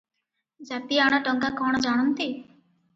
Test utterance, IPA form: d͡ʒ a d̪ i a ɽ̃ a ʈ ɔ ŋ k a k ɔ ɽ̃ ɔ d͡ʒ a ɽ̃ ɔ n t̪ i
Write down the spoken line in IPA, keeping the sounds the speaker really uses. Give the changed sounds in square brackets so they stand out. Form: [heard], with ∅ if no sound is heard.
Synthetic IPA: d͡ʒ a [t̪] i a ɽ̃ a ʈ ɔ ŋ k a k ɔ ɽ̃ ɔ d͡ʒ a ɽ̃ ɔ n t̪ i